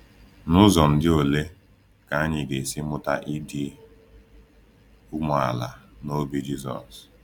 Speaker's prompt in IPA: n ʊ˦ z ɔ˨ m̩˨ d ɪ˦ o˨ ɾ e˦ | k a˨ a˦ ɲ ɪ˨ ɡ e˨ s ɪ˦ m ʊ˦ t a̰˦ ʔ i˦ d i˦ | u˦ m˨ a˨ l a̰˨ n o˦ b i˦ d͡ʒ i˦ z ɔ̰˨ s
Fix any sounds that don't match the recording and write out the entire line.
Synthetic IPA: n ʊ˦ z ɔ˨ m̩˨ d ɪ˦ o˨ l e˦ | k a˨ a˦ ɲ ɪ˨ ɡ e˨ s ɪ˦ m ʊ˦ t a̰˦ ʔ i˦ d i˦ | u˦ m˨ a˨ l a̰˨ n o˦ b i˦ d͡ʒ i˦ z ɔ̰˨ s